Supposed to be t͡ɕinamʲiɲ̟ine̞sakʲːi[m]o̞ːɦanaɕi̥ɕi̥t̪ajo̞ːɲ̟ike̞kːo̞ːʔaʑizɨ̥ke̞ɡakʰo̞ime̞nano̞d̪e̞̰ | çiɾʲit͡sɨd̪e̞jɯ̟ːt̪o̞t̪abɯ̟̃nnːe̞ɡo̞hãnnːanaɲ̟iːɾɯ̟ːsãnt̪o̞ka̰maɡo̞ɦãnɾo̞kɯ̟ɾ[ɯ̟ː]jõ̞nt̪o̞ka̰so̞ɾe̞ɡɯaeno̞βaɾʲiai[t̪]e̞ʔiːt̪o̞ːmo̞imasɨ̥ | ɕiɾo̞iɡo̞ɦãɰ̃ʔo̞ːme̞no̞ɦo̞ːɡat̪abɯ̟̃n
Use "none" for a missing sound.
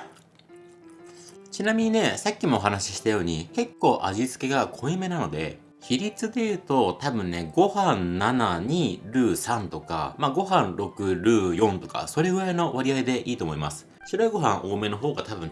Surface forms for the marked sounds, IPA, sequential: m, ɯ̟ː, d̪

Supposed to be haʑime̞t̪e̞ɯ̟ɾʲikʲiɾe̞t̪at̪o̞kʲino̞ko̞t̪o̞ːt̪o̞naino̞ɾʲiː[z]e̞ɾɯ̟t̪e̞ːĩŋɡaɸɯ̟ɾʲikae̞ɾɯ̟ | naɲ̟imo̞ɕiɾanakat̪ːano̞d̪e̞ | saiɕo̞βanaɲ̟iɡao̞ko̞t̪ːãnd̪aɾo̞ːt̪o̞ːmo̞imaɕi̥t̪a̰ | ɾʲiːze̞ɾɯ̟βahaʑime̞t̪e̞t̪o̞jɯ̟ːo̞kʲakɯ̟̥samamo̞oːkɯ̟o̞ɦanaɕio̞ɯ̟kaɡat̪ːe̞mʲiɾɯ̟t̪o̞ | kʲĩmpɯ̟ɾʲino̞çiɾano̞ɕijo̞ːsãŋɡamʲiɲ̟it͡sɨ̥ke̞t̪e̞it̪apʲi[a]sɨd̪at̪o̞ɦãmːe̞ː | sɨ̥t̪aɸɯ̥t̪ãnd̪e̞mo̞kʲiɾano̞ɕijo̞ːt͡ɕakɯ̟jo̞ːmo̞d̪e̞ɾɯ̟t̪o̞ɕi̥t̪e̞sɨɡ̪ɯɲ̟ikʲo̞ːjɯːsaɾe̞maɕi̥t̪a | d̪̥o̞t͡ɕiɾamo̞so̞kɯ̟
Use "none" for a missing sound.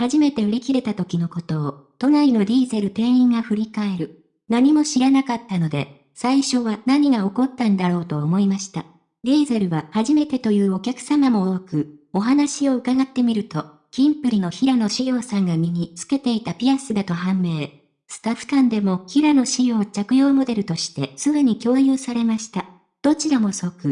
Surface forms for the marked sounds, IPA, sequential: z, a

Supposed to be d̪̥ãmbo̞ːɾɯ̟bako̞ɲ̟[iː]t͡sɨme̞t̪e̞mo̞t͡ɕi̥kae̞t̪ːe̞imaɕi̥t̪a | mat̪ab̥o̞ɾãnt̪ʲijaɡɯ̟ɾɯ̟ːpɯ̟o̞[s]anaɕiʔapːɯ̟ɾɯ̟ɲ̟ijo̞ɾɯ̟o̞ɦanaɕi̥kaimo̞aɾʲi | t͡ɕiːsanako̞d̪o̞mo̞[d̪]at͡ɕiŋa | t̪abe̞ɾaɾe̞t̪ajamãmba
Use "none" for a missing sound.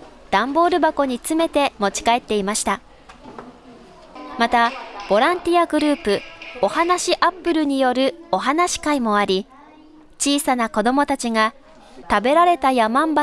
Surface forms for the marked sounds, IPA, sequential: i, h, t̪

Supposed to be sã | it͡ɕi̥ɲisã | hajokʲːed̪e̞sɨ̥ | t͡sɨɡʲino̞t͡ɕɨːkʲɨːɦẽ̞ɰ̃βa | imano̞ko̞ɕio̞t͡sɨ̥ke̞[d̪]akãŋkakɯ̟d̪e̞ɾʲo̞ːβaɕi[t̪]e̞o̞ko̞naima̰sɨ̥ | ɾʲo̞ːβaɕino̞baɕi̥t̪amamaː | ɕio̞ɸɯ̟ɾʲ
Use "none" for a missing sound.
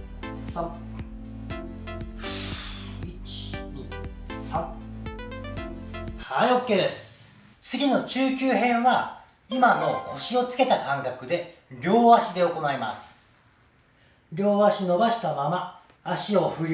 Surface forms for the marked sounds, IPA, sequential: t̪, d̪

